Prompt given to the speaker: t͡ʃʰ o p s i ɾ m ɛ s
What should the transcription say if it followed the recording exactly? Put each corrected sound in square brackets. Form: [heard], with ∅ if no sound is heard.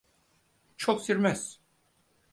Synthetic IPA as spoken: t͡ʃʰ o [k] s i ɾ m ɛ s